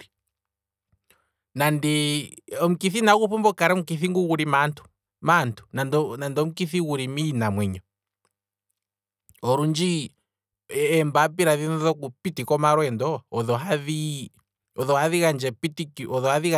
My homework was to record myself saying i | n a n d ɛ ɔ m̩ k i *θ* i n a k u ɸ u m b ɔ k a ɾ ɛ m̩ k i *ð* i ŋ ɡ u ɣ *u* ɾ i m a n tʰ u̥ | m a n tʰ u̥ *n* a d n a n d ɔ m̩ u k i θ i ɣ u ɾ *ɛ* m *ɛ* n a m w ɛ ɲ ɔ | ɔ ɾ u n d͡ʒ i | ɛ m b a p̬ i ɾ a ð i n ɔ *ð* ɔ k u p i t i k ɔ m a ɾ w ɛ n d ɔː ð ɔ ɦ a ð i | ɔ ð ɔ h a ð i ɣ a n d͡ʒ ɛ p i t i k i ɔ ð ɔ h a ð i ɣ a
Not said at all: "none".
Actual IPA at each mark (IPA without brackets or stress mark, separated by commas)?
θ, θ, u, n, i, i, ð